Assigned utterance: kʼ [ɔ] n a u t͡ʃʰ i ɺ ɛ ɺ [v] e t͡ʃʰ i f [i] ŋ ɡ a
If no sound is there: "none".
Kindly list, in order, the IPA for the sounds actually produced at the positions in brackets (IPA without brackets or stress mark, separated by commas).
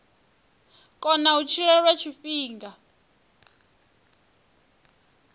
ɔ, w, iː